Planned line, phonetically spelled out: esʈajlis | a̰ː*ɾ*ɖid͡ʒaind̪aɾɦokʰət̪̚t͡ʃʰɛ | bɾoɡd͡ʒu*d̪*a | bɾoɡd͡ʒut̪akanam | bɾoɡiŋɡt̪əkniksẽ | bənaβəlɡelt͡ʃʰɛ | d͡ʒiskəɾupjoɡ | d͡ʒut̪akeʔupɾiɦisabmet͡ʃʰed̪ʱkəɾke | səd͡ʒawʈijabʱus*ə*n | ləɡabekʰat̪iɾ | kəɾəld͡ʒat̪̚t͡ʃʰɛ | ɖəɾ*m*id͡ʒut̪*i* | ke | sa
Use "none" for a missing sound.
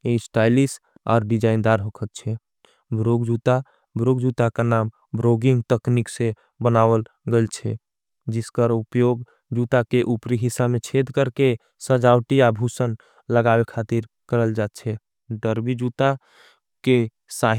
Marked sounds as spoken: ɾ, t̪, ə, b, a

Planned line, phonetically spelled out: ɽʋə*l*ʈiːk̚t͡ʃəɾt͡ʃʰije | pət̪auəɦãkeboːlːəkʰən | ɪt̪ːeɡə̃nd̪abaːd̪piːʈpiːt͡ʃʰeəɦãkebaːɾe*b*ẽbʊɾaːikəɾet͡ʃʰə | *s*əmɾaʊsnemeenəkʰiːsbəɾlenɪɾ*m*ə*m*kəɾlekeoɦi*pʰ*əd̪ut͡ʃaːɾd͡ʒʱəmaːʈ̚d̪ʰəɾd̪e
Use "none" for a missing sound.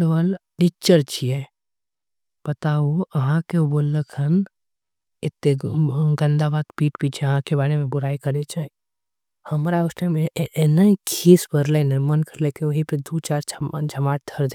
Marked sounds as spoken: l, m, h, m, n, p

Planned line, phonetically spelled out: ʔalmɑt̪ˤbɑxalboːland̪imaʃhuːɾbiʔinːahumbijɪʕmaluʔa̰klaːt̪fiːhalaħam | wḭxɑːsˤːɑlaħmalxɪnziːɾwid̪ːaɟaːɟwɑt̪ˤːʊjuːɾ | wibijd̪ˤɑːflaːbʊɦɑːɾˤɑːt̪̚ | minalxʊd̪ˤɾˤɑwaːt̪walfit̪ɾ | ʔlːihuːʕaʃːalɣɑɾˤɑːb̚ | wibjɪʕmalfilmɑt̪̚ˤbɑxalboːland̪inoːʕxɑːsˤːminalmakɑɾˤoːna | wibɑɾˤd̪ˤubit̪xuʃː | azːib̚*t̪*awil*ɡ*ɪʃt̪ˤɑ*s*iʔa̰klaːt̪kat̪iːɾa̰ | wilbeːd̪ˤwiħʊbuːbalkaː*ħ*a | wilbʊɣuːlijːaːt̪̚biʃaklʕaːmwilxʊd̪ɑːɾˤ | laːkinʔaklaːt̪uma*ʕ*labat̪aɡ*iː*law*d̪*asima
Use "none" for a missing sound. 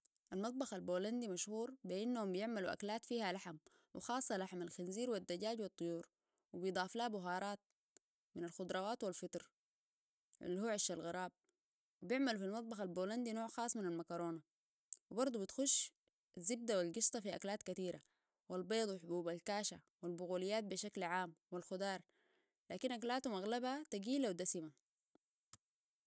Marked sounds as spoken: d̪, ɡ, f, ʃ, ɣ, iː, d̪

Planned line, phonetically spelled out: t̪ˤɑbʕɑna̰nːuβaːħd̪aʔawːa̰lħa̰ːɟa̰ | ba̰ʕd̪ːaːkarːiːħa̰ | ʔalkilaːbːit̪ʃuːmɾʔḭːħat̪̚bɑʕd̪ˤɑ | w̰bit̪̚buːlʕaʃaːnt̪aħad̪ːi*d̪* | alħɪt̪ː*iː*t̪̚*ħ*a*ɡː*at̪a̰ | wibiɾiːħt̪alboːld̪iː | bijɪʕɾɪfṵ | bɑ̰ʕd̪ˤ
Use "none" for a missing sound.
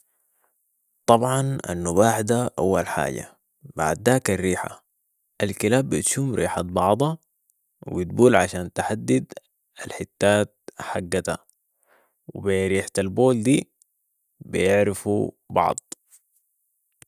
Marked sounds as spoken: d̪, aː, ħ, ɡː

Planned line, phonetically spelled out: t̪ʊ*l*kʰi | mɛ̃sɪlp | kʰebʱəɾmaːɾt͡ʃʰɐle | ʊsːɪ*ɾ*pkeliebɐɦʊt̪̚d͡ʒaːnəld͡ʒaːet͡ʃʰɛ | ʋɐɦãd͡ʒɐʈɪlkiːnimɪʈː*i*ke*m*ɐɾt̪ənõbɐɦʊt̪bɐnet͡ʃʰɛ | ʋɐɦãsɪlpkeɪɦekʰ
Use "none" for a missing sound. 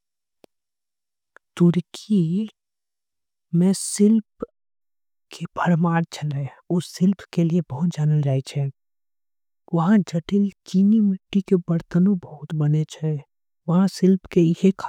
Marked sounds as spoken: ɾ, l, i, b

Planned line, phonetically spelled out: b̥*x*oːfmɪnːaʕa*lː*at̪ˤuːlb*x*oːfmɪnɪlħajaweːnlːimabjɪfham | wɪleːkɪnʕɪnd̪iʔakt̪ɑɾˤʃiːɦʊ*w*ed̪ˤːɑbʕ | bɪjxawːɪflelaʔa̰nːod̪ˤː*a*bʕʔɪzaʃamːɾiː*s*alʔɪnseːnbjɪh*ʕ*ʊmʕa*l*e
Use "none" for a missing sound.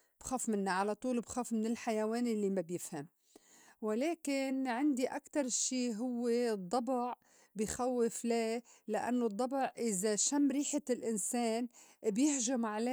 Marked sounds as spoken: x, l, x, wː, ɑ, ħ, ʒ, l

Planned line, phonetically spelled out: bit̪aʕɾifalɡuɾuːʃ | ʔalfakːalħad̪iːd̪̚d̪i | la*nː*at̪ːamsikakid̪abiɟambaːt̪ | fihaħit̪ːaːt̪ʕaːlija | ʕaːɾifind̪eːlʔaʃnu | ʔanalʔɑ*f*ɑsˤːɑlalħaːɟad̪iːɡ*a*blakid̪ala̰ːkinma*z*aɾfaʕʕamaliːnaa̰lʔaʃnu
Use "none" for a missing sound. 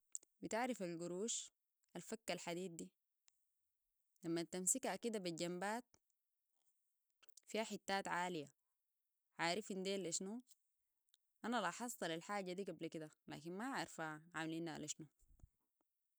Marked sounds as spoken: mː, ħ, a, ʕ

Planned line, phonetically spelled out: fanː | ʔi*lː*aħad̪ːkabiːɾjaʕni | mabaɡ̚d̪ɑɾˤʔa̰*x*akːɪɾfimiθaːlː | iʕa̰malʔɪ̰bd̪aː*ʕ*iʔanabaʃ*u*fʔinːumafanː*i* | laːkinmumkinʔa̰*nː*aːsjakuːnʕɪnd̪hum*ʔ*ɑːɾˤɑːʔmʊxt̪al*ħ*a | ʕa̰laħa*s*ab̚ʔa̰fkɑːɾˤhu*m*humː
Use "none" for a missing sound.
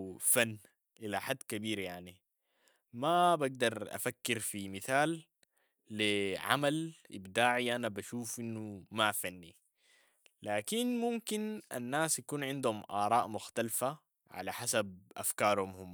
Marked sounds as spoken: l, f, ʕ, uː, i, nː, ʔ, f, s, m

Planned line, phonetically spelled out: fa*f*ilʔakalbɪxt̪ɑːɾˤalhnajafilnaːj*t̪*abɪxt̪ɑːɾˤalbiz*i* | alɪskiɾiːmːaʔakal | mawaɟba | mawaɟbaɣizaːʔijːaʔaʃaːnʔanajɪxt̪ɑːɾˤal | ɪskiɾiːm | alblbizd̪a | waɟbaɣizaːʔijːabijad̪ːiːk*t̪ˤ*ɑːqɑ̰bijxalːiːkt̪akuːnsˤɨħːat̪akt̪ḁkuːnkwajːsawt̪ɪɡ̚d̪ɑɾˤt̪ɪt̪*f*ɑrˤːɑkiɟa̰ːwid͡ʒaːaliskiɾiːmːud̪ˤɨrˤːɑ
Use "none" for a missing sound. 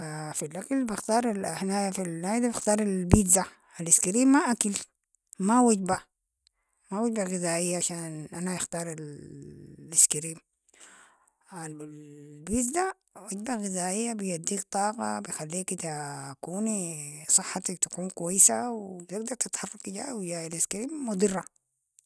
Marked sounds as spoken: f, d̪, a, t̪ˤ, ħ

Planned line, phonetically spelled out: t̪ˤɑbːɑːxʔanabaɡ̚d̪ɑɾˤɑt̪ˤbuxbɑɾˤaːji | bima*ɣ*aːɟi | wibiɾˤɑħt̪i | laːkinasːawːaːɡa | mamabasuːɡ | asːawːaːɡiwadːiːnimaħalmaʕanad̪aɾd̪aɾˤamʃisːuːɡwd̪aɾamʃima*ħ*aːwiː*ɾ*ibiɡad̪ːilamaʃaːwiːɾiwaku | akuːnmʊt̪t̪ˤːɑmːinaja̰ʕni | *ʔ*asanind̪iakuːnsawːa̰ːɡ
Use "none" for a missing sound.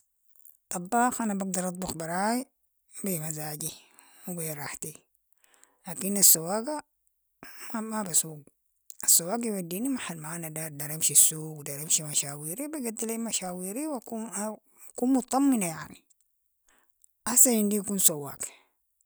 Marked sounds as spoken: z, ʃ, ɾ, ʔ

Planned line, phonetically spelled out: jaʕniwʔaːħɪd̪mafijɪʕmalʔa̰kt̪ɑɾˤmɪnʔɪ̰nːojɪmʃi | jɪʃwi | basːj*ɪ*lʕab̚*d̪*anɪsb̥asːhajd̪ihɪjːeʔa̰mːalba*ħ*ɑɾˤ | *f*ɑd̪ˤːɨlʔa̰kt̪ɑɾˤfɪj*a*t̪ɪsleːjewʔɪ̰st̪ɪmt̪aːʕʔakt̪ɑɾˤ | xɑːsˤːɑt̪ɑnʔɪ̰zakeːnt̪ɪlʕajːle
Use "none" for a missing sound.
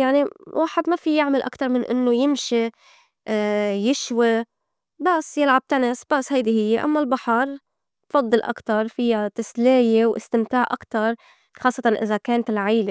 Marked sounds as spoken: ɪ, t̪, ħ, f, a

